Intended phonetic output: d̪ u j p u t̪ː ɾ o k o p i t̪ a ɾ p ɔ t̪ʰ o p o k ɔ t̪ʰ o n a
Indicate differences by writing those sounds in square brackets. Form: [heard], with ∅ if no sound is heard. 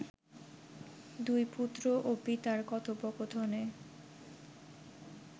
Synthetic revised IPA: d̪ u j p u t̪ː ɾ o [ʔ] o p i t̪ a ɾ [k] ɔ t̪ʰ o p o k [o] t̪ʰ o n [e]

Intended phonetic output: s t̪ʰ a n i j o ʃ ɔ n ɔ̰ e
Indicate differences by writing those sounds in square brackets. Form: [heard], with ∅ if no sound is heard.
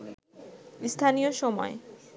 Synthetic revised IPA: s t̪ʰ a n i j o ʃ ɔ [m] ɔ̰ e

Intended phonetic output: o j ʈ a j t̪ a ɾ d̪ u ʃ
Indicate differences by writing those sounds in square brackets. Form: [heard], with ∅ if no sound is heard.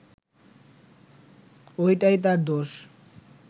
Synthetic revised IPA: o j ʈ a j t̪ a ɾ d̪ [o] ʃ

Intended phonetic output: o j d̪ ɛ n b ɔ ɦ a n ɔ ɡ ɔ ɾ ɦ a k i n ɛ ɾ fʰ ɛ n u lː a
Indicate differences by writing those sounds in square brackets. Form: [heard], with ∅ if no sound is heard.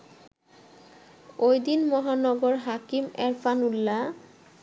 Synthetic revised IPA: o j d̪ [i] n [m] ɔ ɦ a n ɔ ɡ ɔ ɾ ɦ a k i [m] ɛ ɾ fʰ [a] n u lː a

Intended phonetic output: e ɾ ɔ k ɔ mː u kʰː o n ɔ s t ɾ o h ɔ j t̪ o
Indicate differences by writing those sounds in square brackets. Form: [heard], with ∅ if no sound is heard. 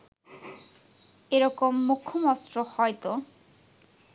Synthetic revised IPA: e ɾ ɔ k [o] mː u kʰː o [m] ɔ s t ɾ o h ɔ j t̪ o

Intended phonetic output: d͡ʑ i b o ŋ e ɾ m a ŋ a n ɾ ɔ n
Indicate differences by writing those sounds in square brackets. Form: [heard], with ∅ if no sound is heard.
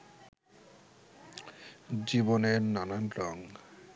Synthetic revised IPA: d͡ʑ i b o [n] e ɾ [n] a [n] a n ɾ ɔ [ŋ]

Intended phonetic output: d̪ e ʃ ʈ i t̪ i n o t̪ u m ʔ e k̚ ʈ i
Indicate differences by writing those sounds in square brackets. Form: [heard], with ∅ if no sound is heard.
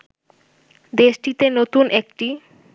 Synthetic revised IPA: d̪ e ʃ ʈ i t̪ [e] n o t̪ u [n] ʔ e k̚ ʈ i

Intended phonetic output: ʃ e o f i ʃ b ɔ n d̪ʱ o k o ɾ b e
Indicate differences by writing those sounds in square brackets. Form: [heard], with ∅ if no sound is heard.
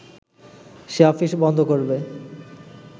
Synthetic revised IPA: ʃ e [ɔ] f i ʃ b ɔ n d̪ʱ o k o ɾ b e

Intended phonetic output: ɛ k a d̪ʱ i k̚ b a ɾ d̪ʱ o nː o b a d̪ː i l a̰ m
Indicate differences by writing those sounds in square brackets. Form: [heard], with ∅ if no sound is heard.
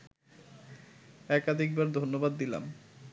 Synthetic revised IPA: ɛ k a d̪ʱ i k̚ b a ɾ d̪ʱ o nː o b a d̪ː i l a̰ m

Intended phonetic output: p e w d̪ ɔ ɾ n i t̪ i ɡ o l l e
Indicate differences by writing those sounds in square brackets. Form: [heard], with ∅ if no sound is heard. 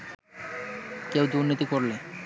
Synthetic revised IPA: [k] e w d̪ [u] ɾ n i t̪ i [k] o [ɾ] l e

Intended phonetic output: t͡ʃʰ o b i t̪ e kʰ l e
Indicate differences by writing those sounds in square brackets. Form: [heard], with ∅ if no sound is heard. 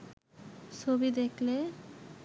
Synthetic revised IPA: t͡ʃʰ o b i [d̪] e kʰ l e

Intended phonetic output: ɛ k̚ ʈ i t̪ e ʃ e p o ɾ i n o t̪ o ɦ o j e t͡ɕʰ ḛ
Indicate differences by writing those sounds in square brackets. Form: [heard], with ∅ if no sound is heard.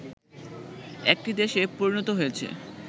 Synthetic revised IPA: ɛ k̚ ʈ i [d̪] e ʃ e p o ɾ i n o t̪ o ɦ o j e t͡ɕʰ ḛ

